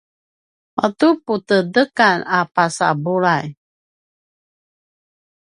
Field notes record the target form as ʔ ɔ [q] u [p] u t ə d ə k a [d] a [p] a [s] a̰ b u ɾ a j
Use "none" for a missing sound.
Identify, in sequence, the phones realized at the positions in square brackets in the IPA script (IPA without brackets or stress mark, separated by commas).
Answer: t, p, n, p, s